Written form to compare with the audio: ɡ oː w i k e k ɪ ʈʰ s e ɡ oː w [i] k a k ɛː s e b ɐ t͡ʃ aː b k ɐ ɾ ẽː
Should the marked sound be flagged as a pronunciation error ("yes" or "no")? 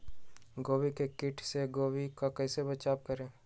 no